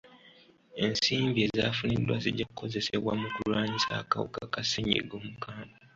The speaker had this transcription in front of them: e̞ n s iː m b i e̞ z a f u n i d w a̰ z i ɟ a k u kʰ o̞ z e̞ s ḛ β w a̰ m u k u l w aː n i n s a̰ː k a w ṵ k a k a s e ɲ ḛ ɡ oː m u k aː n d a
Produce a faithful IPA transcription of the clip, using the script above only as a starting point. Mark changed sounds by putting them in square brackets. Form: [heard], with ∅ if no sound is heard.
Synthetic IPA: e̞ n s iː m b i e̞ z a f u n i d w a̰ z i ɟ a k u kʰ o̞ z e̞ s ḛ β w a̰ m u k u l w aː [ɲ] i [∅] s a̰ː k a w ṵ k a k a s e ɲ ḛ ɡ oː m u k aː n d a